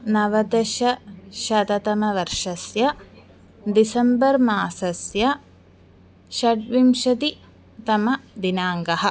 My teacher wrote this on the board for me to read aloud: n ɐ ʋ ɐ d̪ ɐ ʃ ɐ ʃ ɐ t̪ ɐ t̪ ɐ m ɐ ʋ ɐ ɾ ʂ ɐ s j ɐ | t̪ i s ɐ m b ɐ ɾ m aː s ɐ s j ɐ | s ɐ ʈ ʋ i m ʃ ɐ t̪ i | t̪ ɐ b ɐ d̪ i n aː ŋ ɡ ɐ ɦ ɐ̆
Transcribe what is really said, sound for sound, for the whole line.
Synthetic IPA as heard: n ɐ ʋ ɐ d̪ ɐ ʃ ɐ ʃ ɐ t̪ ɐ t̪ ɐ m ɐ ʋ ɐ ɾ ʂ ɐ s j ɐ | d̪ i s ɐ m b ɐ ɾ m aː s ɐ s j ɐ | ʃ ɐ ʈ ʋ i m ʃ ɐ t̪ i | t̪ ɐ m ɐ d̪ i n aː ŋ ɡ ɐ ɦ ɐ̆